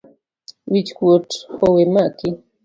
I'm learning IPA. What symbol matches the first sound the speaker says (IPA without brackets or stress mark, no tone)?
w